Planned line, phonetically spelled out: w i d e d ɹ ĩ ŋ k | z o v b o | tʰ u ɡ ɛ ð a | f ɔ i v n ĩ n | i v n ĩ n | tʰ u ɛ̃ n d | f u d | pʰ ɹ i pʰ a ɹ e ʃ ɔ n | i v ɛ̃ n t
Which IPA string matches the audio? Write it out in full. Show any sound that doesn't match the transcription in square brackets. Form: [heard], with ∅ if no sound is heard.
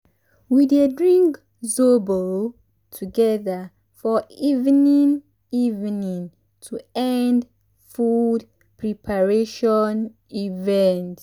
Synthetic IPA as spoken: w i d e d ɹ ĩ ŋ k | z o [∅] b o | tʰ u ɡ ɛ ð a | f ɔ i v n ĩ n | i v n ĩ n | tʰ u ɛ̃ n d | f u d | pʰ ɹ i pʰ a ɹ e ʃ ɔ n | i v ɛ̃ n t